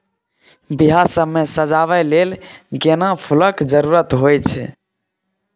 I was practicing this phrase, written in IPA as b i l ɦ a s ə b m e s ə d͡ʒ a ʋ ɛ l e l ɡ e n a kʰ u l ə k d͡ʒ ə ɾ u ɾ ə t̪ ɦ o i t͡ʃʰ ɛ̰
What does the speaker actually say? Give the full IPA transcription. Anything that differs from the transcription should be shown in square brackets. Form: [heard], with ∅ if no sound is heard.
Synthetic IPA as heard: b i [∅] ɦ a s ə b m e s ə d͡ʒ a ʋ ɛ l e l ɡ e n a [pʰ] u l ə k d͡ʒ ə ɾ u ɾ ə t̪ ɦ o [j] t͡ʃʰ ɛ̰